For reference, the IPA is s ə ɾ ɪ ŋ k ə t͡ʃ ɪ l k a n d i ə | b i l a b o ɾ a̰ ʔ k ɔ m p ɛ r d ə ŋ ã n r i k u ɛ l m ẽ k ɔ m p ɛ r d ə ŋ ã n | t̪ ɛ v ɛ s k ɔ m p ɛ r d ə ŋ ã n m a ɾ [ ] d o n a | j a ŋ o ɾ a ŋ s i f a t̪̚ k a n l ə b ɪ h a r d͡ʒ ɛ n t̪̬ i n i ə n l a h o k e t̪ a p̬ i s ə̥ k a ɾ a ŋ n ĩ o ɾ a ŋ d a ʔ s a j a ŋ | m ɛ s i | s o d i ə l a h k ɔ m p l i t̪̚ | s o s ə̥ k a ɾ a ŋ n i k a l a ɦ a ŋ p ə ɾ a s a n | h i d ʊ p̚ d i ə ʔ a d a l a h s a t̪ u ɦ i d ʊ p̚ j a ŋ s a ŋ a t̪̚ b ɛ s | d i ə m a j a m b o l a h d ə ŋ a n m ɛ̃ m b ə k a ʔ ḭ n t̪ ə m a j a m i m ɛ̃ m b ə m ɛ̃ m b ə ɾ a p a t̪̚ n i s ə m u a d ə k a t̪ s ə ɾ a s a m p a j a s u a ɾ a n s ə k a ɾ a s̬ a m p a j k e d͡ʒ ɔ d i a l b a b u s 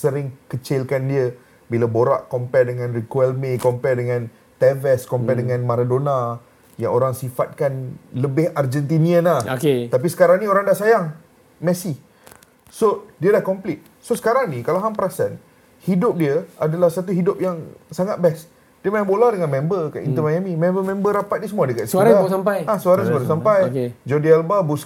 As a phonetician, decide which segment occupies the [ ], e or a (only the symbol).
a